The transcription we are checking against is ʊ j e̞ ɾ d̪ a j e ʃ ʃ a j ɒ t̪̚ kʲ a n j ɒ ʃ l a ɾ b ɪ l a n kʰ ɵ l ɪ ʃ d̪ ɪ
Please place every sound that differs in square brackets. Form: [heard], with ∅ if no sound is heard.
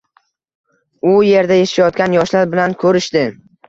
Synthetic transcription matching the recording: ʊ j e̞ ɾ d̪ a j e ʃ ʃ a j ɒ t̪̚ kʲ a n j ɒ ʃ l a ɾ b ɪ l a n kʰ ɵ [ɾ] ɪ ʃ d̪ ɪ